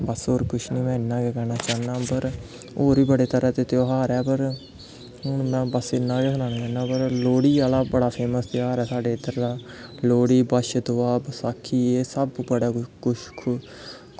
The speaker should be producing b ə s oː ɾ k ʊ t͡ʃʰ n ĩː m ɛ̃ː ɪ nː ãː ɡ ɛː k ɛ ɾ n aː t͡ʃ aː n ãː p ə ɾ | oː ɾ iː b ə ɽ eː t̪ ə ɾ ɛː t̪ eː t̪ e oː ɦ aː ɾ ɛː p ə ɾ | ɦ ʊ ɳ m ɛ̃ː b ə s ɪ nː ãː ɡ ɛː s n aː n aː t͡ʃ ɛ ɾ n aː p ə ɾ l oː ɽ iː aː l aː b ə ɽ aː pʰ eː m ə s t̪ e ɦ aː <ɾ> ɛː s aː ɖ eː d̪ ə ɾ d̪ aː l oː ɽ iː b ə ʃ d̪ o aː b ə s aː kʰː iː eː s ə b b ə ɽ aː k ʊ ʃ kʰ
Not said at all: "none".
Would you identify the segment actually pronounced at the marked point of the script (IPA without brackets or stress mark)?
ɾ